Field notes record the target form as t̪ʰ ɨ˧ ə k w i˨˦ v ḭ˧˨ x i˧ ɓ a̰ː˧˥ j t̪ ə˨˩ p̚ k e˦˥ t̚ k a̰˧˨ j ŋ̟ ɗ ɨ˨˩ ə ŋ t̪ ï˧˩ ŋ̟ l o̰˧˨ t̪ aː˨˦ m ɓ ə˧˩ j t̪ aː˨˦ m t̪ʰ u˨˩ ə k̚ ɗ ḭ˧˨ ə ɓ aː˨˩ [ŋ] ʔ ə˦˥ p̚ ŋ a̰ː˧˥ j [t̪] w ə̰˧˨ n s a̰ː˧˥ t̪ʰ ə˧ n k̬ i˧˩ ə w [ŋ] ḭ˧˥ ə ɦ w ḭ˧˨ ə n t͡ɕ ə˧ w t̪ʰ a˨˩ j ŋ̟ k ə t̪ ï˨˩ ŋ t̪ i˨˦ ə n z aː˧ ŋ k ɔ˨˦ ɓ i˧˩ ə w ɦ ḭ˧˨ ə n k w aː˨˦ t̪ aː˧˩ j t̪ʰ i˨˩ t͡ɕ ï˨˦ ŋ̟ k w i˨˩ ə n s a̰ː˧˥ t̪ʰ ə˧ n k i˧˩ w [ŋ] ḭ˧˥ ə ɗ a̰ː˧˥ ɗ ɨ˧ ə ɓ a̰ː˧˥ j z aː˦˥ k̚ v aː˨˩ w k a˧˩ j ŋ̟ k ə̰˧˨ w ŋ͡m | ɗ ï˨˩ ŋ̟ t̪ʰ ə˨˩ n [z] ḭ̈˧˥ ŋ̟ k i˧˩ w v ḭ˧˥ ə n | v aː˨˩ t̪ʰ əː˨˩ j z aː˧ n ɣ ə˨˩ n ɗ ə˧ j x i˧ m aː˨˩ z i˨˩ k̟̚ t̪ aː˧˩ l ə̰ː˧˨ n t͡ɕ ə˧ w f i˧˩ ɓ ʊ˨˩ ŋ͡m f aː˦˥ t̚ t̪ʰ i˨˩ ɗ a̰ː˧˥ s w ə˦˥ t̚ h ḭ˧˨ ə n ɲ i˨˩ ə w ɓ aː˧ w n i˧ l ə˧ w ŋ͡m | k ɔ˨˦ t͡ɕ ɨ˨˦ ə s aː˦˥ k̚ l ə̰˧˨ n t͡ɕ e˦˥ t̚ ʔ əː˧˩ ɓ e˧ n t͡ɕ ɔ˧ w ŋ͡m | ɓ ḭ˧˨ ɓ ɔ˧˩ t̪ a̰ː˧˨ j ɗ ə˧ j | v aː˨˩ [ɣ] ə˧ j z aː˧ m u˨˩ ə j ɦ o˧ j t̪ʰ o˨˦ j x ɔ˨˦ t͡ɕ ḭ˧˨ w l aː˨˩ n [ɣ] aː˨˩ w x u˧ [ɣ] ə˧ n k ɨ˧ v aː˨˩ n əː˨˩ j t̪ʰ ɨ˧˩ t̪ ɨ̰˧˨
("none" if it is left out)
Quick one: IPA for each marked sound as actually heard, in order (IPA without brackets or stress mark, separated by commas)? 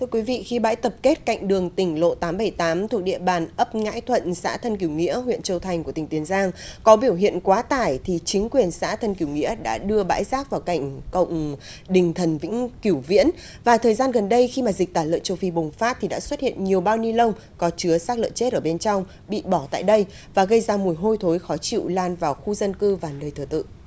n, t̪ʰ, ŋ, ŋ, v, ɣ, v, z